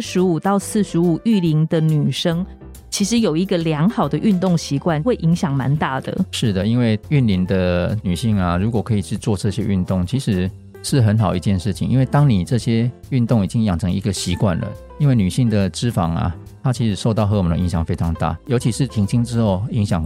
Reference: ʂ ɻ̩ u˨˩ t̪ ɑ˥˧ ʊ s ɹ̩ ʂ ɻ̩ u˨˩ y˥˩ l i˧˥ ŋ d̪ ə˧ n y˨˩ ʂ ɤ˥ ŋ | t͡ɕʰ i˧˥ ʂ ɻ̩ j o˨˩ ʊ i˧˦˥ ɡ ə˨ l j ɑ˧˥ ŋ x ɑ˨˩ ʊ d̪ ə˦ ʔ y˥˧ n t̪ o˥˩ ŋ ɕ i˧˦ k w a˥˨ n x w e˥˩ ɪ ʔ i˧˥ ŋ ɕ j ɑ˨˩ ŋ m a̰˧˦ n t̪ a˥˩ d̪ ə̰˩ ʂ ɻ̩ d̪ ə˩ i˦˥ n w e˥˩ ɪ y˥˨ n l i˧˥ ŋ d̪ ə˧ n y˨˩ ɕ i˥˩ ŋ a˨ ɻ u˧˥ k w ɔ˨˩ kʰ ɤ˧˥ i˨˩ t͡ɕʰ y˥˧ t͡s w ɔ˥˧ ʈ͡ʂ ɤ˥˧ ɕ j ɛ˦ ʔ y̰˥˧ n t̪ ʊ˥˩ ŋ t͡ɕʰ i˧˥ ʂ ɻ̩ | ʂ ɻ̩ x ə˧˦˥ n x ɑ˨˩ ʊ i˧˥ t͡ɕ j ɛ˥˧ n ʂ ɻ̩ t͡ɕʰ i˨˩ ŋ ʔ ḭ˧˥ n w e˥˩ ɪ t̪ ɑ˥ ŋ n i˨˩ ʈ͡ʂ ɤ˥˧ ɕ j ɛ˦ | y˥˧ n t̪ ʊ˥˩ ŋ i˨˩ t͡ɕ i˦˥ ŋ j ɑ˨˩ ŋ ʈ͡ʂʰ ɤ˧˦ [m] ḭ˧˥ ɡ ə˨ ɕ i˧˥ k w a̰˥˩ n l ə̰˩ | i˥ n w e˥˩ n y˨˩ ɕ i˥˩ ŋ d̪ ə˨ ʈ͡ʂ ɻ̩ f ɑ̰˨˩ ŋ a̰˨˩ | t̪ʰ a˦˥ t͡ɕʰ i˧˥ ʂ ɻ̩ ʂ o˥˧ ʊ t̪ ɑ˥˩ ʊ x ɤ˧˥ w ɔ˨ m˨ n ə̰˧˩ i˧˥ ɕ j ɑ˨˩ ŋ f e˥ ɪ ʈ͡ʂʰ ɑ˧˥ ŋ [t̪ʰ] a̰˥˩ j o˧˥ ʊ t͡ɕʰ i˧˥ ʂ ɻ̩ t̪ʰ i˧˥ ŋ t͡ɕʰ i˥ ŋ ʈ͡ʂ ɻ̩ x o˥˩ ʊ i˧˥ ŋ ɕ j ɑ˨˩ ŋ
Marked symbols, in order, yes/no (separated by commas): no, no